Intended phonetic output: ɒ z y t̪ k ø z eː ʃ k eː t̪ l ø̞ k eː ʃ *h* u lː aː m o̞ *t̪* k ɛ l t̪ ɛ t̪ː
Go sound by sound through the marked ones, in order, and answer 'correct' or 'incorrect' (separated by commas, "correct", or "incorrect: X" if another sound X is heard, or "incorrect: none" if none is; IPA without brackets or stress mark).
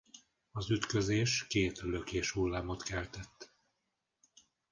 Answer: correct, correct